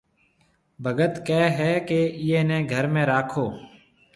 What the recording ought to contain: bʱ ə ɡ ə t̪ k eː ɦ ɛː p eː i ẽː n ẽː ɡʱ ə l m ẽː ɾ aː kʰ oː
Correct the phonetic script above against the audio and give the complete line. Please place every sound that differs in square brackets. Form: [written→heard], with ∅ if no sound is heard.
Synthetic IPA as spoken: bʱ ə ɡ ə t̪ k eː ɦ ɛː [p→k] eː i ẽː n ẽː ɡʱ ə [l→ɾ] m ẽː ɾ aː kʰ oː